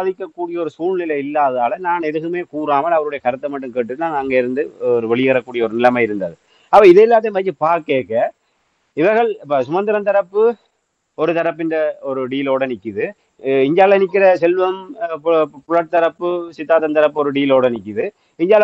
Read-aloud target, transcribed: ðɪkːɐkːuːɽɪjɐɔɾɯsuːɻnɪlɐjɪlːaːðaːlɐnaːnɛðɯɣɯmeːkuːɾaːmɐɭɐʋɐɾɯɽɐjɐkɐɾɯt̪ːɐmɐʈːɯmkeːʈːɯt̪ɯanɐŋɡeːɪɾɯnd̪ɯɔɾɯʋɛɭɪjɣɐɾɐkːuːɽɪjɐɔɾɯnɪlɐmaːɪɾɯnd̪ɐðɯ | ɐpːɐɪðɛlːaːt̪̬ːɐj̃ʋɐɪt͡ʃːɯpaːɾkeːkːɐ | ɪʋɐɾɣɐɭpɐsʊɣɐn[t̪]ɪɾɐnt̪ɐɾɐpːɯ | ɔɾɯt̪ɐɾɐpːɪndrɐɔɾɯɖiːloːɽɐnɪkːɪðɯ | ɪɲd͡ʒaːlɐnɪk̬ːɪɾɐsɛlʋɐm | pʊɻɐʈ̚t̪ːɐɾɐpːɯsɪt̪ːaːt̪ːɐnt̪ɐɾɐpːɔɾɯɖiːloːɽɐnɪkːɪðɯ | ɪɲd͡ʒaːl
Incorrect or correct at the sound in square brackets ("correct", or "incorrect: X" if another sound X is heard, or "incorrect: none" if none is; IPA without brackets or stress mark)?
incorrect: d̪